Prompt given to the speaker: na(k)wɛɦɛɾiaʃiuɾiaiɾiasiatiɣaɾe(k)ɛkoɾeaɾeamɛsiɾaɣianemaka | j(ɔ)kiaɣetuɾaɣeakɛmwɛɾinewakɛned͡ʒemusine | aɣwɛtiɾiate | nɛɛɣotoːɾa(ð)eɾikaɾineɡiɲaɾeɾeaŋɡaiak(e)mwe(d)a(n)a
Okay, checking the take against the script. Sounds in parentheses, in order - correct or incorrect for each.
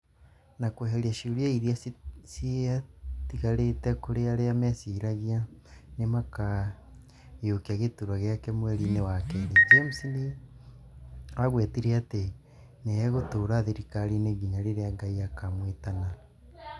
correct, incorrect, incorrect, correct, incorrect, incorrect, correct

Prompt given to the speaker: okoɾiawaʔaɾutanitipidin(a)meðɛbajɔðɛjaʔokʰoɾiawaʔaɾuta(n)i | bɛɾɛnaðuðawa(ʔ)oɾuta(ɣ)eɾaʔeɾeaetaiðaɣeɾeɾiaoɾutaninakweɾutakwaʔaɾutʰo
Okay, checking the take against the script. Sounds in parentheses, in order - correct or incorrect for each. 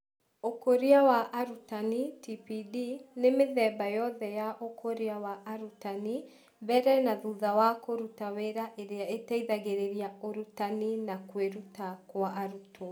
incorrect, correct, incorrect, incorrect

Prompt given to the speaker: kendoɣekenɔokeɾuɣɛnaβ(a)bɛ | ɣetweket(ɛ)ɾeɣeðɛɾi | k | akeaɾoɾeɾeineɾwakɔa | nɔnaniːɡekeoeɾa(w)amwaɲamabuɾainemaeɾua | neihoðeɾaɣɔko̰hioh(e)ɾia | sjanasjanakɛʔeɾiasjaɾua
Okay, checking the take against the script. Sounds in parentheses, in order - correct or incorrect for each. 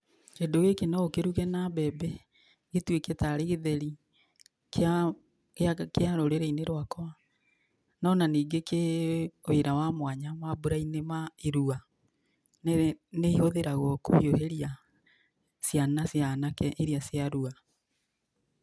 incorrect, incorrect, correct, correct

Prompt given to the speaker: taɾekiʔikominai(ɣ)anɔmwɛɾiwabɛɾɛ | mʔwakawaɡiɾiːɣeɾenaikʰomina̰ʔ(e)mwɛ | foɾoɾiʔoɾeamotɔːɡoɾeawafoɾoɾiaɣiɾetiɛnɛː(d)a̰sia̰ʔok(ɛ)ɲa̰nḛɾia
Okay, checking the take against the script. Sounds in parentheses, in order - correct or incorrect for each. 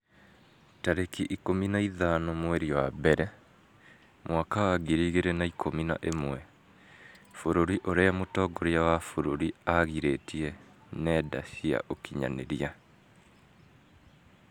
incorrect, correct, correct, incorrect

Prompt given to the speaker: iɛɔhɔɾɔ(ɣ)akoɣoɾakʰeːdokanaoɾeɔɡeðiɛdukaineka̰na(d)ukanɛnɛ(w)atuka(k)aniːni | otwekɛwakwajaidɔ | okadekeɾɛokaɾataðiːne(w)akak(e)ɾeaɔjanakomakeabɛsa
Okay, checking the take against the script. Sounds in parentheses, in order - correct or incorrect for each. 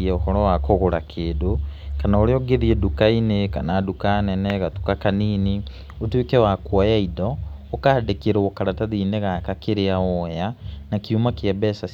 incorrect, correct, incorrect, correct, incorrect, correct

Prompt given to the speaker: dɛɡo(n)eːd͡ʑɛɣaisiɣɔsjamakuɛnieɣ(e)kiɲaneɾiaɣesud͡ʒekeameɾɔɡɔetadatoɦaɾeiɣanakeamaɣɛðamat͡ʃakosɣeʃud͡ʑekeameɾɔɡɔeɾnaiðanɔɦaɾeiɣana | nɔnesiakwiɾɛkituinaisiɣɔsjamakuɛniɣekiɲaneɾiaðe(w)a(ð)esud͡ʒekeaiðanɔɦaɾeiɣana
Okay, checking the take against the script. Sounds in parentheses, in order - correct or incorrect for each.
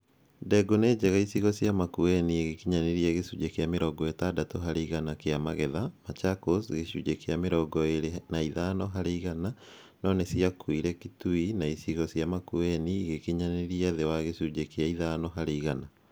correct, correct, correct, incorrect

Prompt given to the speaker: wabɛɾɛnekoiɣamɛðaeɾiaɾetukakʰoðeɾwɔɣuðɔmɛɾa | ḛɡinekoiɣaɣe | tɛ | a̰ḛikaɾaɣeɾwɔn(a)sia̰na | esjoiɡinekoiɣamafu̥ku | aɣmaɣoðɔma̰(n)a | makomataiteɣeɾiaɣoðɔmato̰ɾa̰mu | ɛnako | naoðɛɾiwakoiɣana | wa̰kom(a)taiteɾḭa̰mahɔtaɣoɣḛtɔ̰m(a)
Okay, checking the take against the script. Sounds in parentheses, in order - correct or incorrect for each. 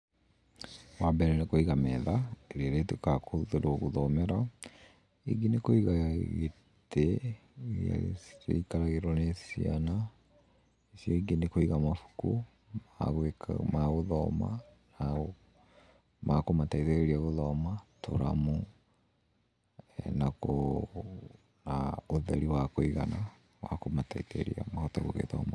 incorrect, correct, correct, correct

